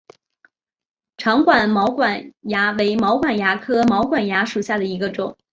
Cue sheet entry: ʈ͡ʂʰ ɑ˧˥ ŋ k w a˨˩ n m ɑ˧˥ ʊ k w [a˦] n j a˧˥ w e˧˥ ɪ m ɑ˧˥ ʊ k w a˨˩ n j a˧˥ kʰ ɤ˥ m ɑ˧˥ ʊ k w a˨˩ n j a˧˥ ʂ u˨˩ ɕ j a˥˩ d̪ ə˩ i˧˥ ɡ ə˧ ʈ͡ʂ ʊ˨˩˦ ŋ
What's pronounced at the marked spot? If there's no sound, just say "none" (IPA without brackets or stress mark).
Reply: a˨˩